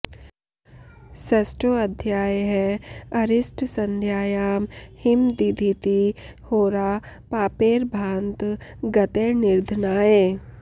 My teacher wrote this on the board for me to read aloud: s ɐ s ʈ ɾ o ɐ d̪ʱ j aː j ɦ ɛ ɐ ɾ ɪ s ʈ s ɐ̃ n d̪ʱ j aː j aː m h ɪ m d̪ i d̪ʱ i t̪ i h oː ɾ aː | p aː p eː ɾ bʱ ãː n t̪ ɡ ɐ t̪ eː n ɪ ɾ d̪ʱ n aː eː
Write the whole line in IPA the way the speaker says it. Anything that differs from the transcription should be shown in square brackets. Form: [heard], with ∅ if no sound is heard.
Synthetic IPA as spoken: s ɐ s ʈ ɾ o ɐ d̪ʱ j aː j ɦ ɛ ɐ ɾ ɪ s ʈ s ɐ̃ n d̪ʱ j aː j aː m h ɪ m d̪ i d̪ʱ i t̪ i h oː ɾ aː | p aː p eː ɾ bʱ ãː n t̪ ɡ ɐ t̪ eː n ɪ ɾ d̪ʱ n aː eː

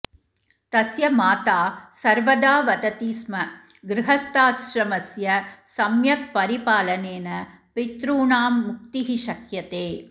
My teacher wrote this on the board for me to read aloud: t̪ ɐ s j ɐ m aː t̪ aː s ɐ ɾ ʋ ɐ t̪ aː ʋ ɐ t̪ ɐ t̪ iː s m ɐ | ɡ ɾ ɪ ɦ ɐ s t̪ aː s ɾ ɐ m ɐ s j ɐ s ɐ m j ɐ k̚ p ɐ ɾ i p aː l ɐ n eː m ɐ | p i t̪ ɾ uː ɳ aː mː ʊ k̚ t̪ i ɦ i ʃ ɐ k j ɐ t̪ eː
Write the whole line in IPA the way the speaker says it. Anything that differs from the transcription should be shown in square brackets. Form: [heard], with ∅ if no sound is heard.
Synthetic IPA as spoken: t̪ ɐ s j ɐ m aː t̪ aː s ɐ ɾ ʋ ɐ [d̪] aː ʋ ɐ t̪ ɐ t̪ iː s m ɐ | ɡ ɾ ɪ ɦ ɐ s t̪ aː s ɾ ɐ m ɐ s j ɐ s ɐ m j ɐ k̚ p ɐ ɾ i p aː l ɐ n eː [n] ɐ | p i t̪ ɾ uː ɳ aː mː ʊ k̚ t̪ i ɦ i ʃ ɐ k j ɐ t̪ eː

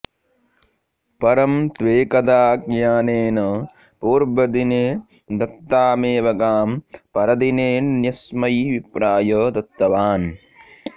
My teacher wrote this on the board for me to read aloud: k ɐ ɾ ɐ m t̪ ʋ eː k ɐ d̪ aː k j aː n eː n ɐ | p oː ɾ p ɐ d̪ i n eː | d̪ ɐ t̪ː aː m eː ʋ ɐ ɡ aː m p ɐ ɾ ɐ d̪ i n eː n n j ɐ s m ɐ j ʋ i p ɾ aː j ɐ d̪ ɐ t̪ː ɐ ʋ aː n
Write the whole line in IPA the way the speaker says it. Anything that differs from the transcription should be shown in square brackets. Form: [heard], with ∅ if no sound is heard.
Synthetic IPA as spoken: [p] ɐ ɾ ɐ m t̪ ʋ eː k ɐ d̪ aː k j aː n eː n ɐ | p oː ɾ [b] ɐ d̪ i n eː | d̪ ɐ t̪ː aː m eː ʋ ɐ ɡ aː m p ɐ ɾ ɐ d̪ i n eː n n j ɐ s m ɐ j ʋ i p ɾ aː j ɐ d̪ ɐ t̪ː ɐ ʋ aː n

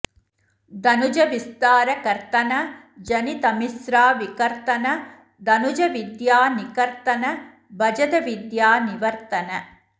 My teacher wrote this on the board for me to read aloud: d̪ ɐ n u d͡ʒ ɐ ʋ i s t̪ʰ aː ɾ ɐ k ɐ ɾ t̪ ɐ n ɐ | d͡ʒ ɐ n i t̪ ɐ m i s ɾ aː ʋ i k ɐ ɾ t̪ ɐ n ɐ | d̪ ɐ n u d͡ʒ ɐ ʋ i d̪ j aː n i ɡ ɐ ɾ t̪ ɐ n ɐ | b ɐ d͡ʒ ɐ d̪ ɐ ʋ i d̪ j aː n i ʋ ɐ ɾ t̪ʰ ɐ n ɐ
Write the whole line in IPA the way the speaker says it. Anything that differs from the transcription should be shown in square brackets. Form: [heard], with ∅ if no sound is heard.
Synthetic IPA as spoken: d̪ ɐ n u d͡ʒ ɐ ʋ i s [t̪] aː ɾ ɐ k ɐ ɾ t̪ ɐ n ɐ | d͡ʒ ɐ n i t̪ ɐ m i s ɾ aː ʋ i k ɐ ɾ t̪ ɐ n ɐ | d̪ ɐ n u d͡ʒ ɐ ʋ i d̪ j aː n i [k] ɐ ɾ t̪ ɐ n ɐ | b ɐ d͡ʒ ɐ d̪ ɐ ʋ i d̪ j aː n i ʋ ɐ ɾ [t̪] ɐ n ɐ

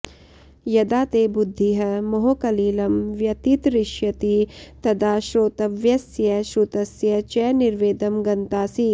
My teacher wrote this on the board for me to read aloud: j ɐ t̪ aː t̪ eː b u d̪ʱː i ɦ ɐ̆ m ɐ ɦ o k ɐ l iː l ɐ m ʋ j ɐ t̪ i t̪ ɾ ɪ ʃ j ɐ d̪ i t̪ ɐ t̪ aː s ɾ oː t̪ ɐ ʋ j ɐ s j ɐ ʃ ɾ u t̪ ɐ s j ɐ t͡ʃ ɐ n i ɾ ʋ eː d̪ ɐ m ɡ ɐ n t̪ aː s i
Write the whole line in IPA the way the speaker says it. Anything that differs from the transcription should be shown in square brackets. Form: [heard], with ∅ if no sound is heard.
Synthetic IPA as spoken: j ɐ [d̪] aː t̪ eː b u d̪ʱː i ɦ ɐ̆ m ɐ ɦ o k ɐ l iː l ɐ m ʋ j ɐ t̪ i t̪ ɾ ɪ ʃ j ɐ [t̪] i t̪ ɐ [d̪] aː [ʃ] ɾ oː t̪ ɐ ʋ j ɐ s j ɐ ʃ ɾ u t̪ ɐ s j ɐ t͡ʃ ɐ n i ɾ ʋ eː d̪ ɐ m ɡ ɐ n t̪ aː s i

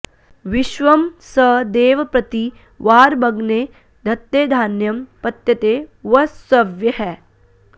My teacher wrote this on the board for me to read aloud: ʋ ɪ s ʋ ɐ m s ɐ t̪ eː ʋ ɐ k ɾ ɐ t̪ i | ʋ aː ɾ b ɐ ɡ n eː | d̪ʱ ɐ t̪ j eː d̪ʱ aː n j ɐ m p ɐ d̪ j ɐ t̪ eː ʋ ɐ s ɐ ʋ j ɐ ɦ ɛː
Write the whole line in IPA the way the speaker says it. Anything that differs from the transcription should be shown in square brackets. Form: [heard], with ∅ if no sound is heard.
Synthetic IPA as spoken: ʋ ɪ [ʃ] ʋ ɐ m s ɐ [d̪] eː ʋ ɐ [p] ɾ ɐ t̪ i | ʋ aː ɾ b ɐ ɡ n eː | d̪ʱ ɐ t̪ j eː d̪ʱ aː n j ɐ m p ɐ [t̪] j ɐ t̪ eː ʋ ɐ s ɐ ʋ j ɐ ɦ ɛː

